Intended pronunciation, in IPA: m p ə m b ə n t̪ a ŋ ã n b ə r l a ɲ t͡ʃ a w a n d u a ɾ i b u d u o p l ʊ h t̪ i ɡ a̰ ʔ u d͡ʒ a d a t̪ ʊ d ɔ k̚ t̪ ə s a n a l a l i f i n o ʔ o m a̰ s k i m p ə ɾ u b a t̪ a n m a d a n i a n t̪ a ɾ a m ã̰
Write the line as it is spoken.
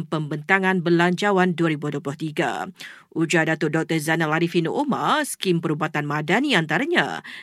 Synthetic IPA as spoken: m p ə m b ə n t̪ a ŋ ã n b ə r l a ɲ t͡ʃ a w a n d u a ɾ i b u d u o p l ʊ h t̪ i ɡ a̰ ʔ u d͡ʒ a d a t̪ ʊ d ɔ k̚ t̪ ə z a n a l a ɾ i f i n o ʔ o m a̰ s k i m p ə ɾ u b a t̪ a n m a d a n i a n t̪ a ɾ a ɲ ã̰